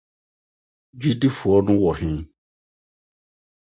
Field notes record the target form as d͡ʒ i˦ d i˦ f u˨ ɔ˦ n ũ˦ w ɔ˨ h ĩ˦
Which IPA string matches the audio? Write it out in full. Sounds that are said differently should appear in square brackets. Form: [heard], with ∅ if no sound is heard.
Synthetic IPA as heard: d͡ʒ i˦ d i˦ f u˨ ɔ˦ n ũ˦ w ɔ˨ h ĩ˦